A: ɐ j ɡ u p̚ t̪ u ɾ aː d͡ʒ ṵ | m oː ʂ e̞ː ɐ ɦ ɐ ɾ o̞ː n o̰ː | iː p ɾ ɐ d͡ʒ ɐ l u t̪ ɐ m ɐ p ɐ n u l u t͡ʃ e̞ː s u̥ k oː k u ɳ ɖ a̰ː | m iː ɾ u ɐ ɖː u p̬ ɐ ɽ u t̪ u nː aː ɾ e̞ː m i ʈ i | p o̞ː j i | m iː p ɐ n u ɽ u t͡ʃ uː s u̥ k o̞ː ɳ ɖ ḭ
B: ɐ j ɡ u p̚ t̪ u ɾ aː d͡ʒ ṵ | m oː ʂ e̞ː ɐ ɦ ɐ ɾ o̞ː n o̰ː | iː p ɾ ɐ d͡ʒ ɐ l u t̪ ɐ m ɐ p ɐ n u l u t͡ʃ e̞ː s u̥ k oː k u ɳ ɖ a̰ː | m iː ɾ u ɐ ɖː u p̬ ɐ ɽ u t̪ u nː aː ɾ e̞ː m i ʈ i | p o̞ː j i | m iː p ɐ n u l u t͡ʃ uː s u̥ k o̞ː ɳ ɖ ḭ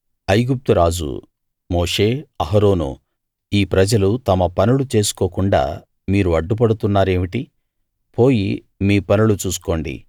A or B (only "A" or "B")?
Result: B